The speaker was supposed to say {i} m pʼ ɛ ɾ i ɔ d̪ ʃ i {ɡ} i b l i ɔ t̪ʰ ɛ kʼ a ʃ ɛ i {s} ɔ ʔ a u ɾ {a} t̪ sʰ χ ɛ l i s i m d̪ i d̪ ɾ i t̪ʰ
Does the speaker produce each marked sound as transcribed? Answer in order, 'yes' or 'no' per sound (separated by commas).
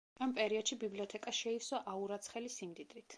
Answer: no, no, yes, yes